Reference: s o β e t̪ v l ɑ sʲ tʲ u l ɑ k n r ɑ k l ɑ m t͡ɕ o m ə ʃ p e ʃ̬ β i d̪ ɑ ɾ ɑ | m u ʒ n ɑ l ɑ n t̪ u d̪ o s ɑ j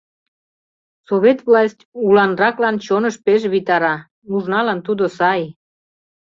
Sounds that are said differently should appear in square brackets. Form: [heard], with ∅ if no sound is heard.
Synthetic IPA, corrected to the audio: s o β e t̪ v l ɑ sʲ tʲ u l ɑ [∅] n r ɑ k l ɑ [n] t͡ɕ o [n] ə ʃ p e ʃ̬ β i [t̪] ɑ ɾ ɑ | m u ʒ n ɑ l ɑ n t̪ u d̪ o s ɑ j